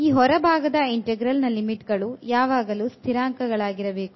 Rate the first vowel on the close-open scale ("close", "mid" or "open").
close